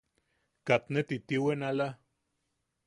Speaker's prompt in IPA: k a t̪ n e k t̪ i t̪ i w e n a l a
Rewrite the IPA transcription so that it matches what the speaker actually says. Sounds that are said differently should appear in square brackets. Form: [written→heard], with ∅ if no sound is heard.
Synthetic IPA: k a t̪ n e [k→∅] t̪ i t̪ i w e n a l a

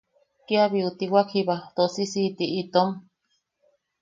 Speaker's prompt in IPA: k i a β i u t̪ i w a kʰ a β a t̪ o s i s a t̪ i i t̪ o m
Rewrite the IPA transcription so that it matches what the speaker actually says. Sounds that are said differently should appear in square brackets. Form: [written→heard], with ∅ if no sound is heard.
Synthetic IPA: k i a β i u t̪ i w a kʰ [a→i] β a t̪ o s i s [a→i] t̪ i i t̪ o m

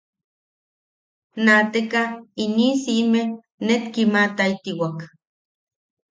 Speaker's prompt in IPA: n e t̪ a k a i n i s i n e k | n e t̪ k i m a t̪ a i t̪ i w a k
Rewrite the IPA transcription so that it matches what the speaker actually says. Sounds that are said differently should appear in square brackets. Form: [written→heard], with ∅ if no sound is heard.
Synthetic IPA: n [e→a] t̪ [a→e] k a i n i s i [n→m] e [k→∅] | n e t̪ k i m a t̪ a i t̪ i w a k

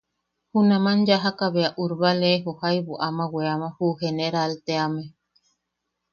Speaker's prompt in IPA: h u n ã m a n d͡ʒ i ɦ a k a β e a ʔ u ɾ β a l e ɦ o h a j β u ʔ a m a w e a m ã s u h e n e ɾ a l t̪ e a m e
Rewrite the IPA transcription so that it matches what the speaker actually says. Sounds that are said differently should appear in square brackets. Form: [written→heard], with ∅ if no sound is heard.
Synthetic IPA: h u n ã m a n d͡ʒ [i→a] ɦ a k a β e a ʔ u ɾ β a l e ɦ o h a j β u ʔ a m a w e a m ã [s→h] u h e n e ɾ a l t̪ e a m e

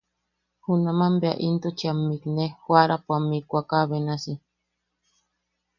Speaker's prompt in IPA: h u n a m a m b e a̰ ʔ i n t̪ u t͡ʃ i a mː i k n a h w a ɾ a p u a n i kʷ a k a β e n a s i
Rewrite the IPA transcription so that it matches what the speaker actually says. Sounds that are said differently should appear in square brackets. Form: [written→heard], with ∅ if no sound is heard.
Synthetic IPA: h u n a m a m b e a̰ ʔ i n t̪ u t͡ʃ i a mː i k n [a→e] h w a ɾ a p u a [n→m] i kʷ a k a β e n a s i

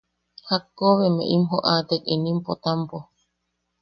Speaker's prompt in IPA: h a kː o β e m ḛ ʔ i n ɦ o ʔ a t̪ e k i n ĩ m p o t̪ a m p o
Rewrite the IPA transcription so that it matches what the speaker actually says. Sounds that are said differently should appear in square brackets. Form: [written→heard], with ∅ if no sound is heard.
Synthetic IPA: h a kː o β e m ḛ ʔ i [n→m] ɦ o ʔ a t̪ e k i n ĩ m p o t̪ a m p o

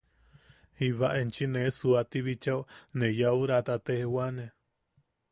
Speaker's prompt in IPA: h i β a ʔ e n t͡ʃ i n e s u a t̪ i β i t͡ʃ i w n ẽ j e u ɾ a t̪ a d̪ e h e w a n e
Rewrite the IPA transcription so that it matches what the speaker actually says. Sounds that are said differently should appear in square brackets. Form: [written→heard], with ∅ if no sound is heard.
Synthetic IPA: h i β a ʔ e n t͡ʃ i n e s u a t̪ i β i t͡ʃ [i→a] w n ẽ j [e→a] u ɾ a t̪ a [d̪→t̪] e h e w a n e

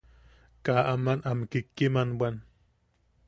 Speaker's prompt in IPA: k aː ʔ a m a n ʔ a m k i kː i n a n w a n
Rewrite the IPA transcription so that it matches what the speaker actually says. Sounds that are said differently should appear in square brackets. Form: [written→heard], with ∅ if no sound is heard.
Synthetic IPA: k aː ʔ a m a n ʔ a m k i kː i [n→m] a n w a n

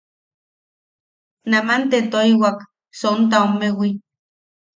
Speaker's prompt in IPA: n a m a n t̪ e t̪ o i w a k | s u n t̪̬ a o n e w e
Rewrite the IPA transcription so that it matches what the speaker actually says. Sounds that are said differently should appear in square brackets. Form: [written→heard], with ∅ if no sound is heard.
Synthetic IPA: n a m a n t̪ e t̪ o i w a k | s [u→o] n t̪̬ a o [n→m] e w [e→i]

